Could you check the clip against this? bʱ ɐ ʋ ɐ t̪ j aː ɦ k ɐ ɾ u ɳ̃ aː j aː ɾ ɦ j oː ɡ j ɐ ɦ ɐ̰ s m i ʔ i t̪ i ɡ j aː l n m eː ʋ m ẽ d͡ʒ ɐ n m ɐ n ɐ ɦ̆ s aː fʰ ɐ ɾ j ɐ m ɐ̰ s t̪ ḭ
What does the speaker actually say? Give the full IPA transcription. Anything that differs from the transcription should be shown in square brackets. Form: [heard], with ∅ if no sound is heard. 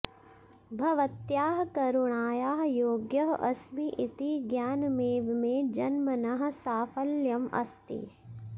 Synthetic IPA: bʱ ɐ ʋ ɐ t̪ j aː ɦ k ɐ ɾ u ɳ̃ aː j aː [∅] ɦ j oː ɡ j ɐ ɦ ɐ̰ s m i ʔ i t̪ i ɡ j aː [∅] n m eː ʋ m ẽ d͡ʒ ɐ n m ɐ n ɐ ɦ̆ s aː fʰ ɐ [l] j ɐ m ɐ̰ s t̪ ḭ